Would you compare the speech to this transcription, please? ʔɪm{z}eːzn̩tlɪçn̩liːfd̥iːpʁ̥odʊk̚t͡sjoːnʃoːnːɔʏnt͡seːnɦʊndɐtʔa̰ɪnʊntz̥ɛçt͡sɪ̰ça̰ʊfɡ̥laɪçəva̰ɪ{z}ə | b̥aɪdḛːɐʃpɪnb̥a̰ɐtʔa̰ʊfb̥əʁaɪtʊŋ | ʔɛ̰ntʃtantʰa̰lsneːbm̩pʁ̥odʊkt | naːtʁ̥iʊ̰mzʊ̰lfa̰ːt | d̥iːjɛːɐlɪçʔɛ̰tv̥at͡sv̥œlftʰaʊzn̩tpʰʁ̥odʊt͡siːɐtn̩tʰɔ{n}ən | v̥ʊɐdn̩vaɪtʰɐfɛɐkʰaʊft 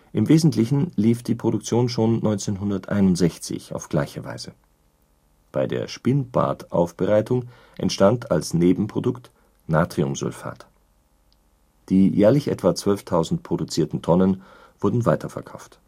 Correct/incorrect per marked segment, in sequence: incorrect: v, correct, correct

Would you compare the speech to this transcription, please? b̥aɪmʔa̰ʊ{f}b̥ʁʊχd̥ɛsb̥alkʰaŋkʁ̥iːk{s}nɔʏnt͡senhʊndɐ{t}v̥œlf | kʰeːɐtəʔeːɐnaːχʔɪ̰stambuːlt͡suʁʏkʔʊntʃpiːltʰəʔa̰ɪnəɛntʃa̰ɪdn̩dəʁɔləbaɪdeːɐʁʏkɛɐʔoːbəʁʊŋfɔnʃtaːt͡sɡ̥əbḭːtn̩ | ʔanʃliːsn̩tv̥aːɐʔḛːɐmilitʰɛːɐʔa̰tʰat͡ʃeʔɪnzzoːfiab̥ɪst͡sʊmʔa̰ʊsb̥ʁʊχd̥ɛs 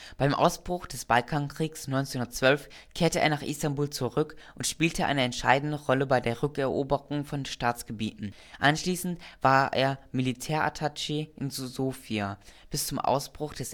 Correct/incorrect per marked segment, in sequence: incorrect: s, correct, incorrect: t͡s

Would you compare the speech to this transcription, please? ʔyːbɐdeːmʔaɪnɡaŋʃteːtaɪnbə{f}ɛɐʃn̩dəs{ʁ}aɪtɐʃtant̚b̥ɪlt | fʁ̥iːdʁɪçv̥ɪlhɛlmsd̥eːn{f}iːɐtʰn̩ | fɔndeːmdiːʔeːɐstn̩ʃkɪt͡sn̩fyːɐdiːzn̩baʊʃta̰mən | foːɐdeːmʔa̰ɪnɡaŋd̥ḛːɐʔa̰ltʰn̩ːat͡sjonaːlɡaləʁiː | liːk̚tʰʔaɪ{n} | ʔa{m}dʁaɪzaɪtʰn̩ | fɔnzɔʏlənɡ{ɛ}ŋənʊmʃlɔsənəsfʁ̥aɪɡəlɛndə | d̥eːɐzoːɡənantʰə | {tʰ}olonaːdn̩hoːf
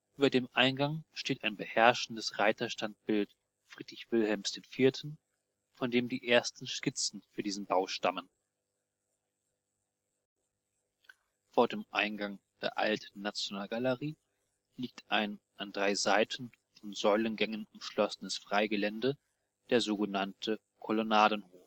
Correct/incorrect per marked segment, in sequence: incorrect: h, correct, correct, correct, incorrect: n, correct, incorrect: kʰ

